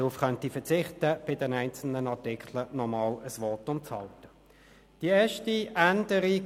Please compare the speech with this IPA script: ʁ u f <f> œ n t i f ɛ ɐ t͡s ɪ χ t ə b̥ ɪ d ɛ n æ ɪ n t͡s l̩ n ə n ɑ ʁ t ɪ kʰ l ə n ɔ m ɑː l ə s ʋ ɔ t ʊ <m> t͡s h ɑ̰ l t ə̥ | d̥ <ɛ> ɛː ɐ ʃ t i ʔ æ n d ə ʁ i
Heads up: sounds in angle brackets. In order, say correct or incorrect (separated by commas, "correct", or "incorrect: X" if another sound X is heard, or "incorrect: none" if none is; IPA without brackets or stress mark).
incorrect: χ, correct, incorrect: i